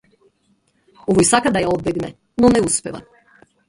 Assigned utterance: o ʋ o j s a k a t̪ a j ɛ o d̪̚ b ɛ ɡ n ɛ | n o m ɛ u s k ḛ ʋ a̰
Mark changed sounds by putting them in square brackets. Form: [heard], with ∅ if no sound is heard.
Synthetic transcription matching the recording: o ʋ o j s a k a [d̪] a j [a] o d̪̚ b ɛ ɡ n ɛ | n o [n] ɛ u s [p] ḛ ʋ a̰